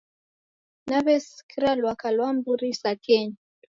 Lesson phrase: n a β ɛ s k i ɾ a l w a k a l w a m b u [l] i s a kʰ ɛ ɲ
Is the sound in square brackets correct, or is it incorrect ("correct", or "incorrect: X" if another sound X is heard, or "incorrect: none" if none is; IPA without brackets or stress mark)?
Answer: incorrect: ɾ